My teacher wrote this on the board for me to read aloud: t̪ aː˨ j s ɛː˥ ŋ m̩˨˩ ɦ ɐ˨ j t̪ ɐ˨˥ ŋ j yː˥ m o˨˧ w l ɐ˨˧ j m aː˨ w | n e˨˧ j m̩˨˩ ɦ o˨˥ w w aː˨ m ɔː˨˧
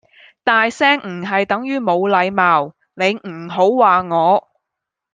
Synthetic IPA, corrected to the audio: t̪ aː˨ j s ɛː˥ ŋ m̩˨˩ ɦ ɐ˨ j t̪ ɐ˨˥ ŋ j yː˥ m o˨˧ w l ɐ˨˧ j m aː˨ w | n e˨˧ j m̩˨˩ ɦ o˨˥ w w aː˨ ŋ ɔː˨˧